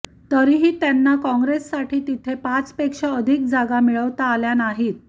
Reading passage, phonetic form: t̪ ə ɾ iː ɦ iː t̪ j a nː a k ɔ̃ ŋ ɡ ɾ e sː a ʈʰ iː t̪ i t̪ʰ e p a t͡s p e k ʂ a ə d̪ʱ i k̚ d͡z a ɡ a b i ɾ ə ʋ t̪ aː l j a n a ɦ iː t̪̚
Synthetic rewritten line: t̪ ə ɾ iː ɦ iː t̪ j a nː a k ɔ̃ ŋ ɡ ɾ e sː a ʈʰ iː t̪ i t̪ʰ e p a t͡s p e k ʂ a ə d̪ʱ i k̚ d͡z a ɡ a m i ɭ ə ʋ t̪ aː l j a n a ɦ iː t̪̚

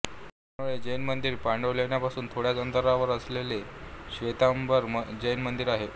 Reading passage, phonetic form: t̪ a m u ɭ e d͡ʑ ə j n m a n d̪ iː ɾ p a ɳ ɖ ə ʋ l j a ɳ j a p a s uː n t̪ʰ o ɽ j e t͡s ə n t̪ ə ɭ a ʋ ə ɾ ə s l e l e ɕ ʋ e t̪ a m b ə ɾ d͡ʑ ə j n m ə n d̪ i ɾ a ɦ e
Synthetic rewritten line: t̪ a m u ɭ e d͡ʑ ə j n m ə n d̪ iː ɾ p a ɳ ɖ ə ʋ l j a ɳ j a p a s uː n t̪ʰ o ɽ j a t͡s ə n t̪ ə ɾ a ʋ ə ɾ ə s l e l e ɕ ʋ e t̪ a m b ə ɾ d͡ʑ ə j n m ə n d̪ i ɾ a ɦ e

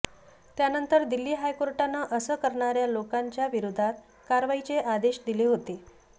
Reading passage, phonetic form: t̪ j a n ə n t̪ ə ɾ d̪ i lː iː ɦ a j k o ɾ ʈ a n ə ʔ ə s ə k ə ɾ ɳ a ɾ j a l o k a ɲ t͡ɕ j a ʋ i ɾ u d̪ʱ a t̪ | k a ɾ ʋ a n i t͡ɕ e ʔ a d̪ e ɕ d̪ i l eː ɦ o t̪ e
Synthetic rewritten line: t̪ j a n ə n t̪ ə ɾ d̪ i lː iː ɦ a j k o ɾ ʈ a n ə ʔ ə s ə k ə ɾ ɳ a ɾ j a l o k a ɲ t͡ɕ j a ʋ i ɾ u d̪ʱ a t̪ | k a ɾ ʋ a i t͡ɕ e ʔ a d̪ e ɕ d̪ i l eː ɦ o t̪ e

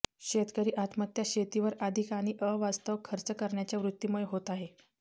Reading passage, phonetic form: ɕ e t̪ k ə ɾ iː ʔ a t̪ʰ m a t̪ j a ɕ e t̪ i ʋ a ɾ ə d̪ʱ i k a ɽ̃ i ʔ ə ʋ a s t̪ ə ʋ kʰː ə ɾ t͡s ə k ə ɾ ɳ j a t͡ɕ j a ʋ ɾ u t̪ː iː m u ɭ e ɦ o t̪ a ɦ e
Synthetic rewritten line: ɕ e t̪ k ə ɾ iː ʔ a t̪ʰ m ə t̪ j a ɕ e t̪ i ʋ ə ɾ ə d̪ʱ i k a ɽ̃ i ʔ ə ʋ a s t̪ ə ʋ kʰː ə ɾ t͡s ə k ə ɾ ɳ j a t͡ɕ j a ʋ ɾ u t̪ː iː m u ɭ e ɦ o t̪ a ɦ e

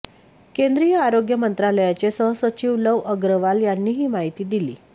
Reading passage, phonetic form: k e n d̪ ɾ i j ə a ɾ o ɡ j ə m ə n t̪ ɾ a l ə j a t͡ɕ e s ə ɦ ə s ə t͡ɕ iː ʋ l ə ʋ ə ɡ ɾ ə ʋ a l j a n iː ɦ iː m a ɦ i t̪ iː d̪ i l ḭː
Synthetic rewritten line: k e n d̪ ɾ i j ə a ɾ o ɡ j ə m ə n t̪ ɾ a l ə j a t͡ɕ e s ə ɦ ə s ə t͡ɕ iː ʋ l ə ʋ ə ɡ ɾ ə ʋ a l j a nː iː ɦ iː m a ɦ i t̪ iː d̪ i l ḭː

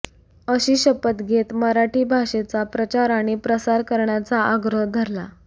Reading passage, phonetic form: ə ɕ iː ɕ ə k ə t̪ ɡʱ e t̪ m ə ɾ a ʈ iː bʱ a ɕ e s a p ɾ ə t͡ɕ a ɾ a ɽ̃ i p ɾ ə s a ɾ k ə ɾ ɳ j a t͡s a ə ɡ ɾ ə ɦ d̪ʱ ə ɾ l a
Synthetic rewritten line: ə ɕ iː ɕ ə p ə t̪ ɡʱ e t̪ m ə ɾ a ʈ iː bʱ a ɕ e t͡s a p ɾ ə t͡ɕ a ɾ a ɽ̃ i p ɾ ə s a ɾ k ə ɾ ɳ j a t͡s a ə ɡ ɾ ə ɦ d̪ʱ ə ɾ l a

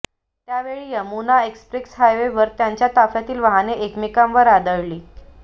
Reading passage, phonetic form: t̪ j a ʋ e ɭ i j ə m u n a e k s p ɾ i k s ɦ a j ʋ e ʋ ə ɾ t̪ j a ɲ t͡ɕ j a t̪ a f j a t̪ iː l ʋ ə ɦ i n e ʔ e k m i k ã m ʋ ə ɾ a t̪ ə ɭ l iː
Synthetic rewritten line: t̪ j a ʋ e ɭ i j ə m u n a e k s p ɾ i k s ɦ a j ʋ e ʋ ə ɾ t̪ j a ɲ t͡ɕ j a t̪ a f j a t̪ iː l ʋ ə ɦ a n e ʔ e k m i k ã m ʋ ə ɾ a d̪ ə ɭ l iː

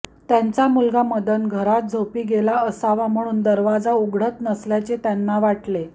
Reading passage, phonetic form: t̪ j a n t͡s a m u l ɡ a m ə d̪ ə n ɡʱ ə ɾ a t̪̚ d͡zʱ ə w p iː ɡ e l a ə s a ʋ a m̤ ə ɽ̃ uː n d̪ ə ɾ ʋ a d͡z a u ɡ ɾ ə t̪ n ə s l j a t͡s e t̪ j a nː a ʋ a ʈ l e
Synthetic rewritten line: t̪ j a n t͡s a m u l ɡ a m ə d̪ ə n ɡʱ ə ɾ a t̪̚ d͡zʱ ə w p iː ɡ e l a ə s a ʋ a m̤ ə ɽ̃ uː n d̪ ə ɾ ʋ a d͡z a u ɡ ɽ ə t̪ n ə s l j a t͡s e t̪ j a nː a ʋ a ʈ l e

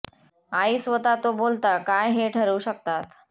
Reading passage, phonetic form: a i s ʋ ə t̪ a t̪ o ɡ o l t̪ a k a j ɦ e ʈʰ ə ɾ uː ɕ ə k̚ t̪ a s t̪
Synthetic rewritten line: a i s ʋ ə t̪ a t̪ o b o l t̪ a k a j ɦ e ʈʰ ə ɾ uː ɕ ə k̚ t̪ a t̪

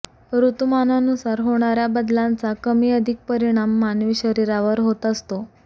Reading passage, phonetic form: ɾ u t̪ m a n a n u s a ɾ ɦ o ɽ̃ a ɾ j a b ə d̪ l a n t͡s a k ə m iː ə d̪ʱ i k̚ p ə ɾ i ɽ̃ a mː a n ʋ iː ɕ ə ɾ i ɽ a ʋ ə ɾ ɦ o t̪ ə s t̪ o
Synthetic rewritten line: ɾ u t̪ m a n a n u s a ɾ ɦ o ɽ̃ a ɾ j a b ə d̪ l a n t͡s a k ə m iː ə d̪ʱ i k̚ p ə ɾ i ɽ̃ a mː a n ʋ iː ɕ ə ɾ i ɾ a ʋ ə ɾ ɦ o t̪ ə s t̪ o

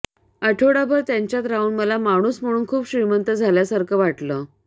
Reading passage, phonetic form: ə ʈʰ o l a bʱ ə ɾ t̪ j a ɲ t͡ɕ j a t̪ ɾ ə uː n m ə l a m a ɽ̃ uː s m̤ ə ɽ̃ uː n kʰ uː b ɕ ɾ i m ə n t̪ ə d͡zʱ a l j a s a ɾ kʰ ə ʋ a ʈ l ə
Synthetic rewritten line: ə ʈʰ o ɽ a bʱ ə ɾ t̪ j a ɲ t͡ɕ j a t̪ ɾ a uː n m ə l a m a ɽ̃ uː s m̤ ə ɽ̃ uː n kʰ uː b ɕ ɾ i m ə n t̪ ə d͡zʱ a l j a s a ɾ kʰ ə ʋ a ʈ l ə

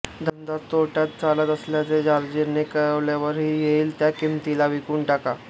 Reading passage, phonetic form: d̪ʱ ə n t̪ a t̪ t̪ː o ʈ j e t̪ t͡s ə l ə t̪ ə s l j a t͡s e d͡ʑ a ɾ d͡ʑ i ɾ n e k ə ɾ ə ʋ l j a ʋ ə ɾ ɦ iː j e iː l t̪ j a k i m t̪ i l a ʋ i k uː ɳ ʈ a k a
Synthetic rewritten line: d̪ʱ ə n d̪ a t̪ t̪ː o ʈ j a t̪ t͡s a l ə t̪ ə s l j a t͡s e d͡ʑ a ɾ d͡ʑ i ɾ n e k ə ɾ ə ʋ l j a ʋ ə ɾ ɦ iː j e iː l t̪ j a k i m t̪ i l a ʋ i k uː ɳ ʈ a k a

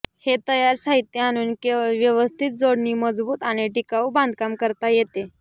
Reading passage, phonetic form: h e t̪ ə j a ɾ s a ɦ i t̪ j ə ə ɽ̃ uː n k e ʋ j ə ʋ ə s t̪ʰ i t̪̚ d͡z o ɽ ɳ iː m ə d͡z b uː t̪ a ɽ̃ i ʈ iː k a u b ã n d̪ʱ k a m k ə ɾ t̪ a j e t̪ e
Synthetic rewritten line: h e t̪ ə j a ɾ s a ɦ i t̪ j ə a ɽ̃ uː n k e ʋ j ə ʋ ə s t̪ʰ i t̪̚ d͡z o ɽ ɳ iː m ə d͡z b uː t̪ a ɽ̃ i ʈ i k a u b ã n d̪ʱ k a m k ə ɾ t̪ a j e t̪ e

